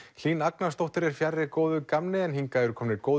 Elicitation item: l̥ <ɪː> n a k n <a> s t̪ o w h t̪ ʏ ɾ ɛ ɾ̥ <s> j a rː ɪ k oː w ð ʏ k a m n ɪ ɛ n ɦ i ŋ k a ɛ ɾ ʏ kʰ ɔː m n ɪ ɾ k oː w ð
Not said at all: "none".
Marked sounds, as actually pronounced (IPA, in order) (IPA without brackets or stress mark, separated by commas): iː, a, f